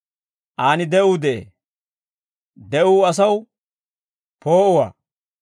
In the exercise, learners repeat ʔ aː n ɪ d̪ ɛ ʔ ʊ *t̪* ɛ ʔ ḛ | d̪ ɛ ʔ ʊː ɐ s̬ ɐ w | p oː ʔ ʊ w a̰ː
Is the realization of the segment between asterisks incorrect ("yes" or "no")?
yes